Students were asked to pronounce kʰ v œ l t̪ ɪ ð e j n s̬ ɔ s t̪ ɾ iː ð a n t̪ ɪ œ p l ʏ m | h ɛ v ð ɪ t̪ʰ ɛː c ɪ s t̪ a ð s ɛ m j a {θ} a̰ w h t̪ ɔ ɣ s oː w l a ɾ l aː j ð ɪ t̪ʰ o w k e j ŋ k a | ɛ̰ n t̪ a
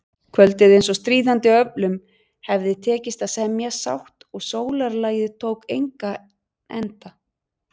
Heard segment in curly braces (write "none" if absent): s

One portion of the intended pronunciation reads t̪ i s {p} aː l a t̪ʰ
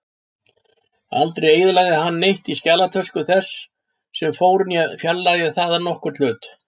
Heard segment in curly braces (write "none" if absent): c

